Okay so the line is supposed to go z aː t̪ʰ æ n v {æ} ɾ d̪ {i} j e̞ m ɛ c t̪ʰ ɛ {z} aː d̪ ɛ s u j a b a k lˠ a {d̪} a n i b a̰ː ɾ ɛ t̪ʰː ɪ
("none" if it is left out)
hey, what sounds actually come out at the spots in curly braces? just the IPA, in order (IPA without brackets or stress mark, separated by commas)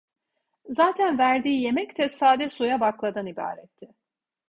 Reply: æ, iː, s, d̪